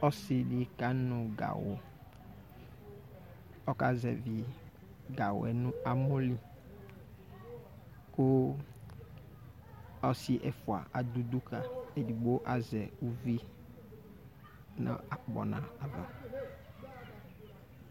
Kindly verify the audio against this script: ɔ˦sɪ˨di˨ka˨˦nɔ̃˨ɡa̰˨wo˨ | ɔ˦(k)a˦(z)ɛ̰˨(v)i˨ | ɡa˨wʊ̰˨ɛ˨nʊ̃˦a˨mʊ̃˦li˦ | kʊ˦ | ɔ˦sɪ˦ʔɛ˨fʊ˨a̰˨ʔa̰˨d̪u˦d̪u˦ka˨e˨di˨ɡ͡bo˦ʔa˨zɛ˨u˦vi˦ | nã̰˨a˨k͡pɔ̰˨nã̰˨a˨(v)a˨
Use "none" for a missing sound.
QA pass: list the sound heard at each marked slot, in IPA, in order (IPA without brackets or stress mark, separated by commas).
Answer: k, z, v, v